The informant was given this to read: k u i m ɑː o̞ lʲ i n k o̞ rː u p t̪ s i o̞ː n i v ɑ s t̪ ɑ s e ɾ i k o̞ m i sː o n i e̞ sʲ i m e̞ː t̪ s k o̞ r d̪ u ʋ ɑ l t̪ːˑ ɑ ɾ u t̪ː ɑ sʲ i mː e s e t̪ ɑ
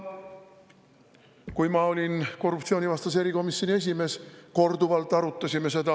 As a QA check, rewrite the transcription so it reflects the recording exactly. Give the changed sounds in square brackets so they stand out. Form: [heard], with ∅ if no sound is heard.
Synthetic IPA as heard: k u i m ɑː o̞ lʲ i n k o̞ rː u p t̪ s i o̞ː n i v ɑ s t̪ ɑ s e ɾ i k o̞ m i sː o n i e̞ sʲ i m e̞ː [∅] s k o̞ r d̪ u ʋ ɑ l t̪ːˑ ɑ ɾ u t̪ː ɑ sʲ i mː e s e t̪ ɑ